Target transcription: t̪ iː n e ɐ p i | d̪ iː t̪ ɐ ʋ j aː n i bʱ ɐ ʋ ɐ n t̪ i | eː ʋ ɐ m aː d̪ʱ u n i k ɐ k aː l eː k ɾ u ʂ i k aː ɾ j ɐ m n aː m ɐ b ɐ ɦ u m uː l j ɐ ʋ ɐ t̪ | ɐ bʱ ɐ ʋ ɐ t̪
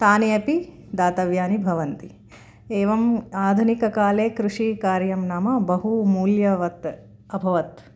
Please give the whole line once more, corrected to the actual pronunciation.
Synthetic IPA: t̪ aː n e ɐ p i | d̪ aː t̪ ɐ ʋ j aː n i bʱ ɐ ʋ ɐ n t̪ i | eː ʋ ɐ m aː d̪ʱ u n i k ɐ k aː l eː k ɾ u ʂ i k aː ɾ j ɐ m n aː m ɐ b ɐ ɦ u m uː l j ɐ ʋ ɐ t̪ | ɐ bʱ ɐ ʋ ɐ t̪

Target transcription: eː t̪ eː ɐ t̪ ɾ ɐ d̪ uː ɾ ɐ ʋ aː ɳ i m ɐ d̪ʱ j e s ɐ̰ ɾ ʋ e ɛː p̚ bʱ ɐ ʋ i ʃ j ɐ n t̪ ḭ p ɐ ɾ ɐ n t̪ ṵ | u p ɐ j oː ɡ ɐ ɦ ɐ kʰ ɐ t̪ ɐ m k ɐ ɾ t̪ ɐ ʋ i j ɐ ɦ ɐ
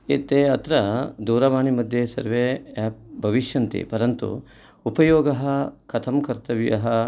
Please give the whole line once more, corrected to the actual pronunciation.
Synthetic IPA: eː t̪ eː ɐ t̪ ɾ ɐ d̪ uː ɾ ɐ ʋ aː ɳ i m ɐ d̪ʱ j e s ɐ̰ ɾ ʋ e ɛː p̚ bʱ ɐ ʋ i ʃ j ɐ n t̪ ḭ p ɐ ɾ ɐ n t̪ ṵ | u p ɐ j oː ɡ ɐ ɦ ɐ kʰ ɐ t̪ʰ ɐ m k ɐ ɾ t̪ ɐ ʋ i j ɐ ɦ ɐ

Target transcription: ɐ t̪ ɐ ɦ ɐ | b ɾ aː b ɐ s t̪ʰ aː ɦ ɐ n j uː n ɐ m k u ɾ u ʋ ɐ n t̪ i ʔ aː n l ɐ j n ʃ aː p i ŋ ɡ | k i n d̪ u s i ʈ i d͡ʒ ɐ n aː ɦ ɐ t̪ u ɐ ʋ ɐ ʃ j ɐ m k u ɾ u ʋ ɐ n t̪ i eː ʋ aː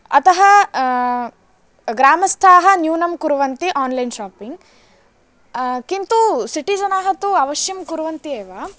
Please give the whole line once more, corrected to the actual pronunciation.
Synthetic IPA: ɐ t̪ ɐ ɦ ɐ | ɡ ɾ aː m ɐ s t̪ʰ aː ɦ ɐ n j uː n ɐ m k u ɾ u ʋ ɐ n t̪ i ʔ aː n l ɐ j n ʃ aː p i ŋ ɡ | k i n t̪ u s i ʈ i d͡ʒ ɐ n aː ɦ ɐ t̪ u ɐ ʋ ɐ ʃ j ɐ m k u ɾ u ʋ ɐ n t̪ i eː ʋ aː

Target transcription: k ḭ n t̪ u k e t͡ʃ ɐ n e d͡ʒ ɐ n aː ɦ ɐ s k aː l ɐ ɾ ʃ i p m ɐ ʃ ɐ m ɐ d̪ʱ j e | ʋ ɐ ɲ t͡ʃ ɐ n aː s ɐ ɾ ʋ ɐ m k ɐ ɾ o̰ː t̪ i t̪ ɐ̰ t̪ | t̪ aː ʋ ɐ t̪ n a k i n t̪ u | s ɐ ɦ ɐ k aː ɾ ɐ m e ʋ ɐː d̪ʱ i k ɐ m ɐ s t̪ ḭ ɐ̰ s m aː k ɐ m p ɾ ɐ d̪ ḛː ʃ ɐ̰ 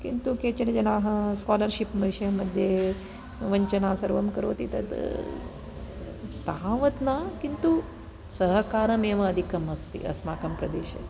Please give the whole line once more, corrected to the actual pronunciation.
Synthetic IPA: k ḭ n t̪ u k e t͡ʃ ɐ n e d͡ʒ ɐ n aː ɦ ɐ s k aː l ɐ ɾ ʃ i p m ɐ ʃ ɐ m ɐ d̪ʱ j e | ʋ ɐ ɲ t͡ʃ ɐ n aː s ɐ ɾ ʋ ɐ m k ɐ ɾ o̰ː t̪ i t̪ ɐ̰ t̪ | t̪ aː ʋ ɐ t̪ n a k i n t̪ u | s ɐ ɦ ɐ k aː ɾ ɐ m e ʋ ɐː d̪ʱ i k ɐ m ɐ s t̪ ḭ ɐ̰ s m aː k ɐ m p ɾ ɐ d̪ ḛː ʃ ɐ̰

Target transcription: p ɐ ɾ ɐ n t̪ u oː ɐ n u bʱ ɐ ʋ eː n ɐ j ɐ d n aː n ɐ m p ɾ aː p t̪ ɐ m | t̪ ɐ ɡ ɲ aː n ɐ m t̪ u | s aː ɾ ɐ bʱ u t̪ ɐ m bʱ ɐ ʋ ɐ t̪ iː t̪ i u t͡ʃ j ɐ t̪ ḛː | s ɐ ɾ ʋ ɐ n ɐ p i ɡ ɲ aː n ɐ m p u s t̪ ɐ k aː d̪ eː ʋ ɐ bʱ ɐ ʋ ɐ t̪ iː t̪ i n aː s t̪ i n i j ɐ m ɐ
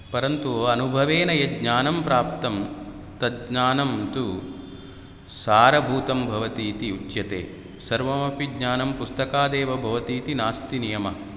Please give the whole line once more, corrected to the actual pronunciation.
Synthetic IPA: p ɐ ɾ ɐ n t̪ u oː ɐ n u bʱ ɐ ʋ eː n ɐ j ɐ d ɲ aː n ɐ m p ɾ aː p t̪ ɐ m | t̪ ɐ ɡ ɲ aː n ɐ m t̪ u | s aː ɾ ɐ bʱ uː t̪ ɐ m bʱ ɐ ʋ ɐ t̪ iː t̪ i u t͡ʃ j ɐ t̪ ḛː | s ɐ ɾ ʋ ɐ m ɐ p i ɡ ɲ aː n ɐ m p u s t̪ ɐ k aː d̪ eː ʋ ɐ bʱ ɐ ʋ ɐ t̪ iː t̪ i n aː s t̪ i n i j ɐ m ɐ

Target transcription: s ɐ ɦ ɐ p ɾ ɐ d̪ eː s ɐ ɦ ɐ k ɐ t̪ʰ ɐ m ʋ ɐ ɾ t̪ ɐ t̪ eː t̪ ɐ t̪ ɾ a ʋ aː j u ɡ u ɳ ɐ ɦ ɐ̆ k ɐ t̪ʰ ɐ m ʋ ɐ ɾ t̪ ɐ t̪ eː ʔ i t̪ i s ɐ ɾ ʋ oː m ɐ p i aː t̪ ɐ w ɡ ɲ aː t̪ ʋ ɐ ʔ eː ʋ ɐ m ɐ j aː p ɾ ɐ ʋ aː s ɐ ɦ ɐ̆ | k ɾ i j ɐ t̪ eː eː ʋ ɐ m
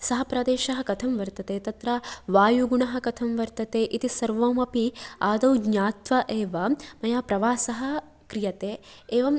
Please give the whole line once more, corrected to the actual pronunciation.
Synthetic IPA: s ɐ ɦ ɐ p ɾ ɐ d̪ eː ʃ ɐ ɦ ɐ k ɐ t̪ʰ ɐ m ʋ ɐ ɾ t̪ ɐ t̪ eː t̪ ɐ t̪ ɾ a ʋ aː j u ɡ u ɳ ɐ ɦ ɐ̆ k ɐ t̪ʰ ɐ m ʋ ɐ ɾ t̪ ɐ t̪ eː ʔ i t̪ i s ɐ ɾ ʋ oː m ɐ p i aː d̪ ɐ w ɡ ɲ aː t̪ ʋ ɐ ʔ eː ʋ ɐ m ɐ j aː p ɾ ɐ ʋ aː s ɐ ɦ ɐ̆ | k ɾ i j ɐ t̪ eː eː ʋ ɐ m

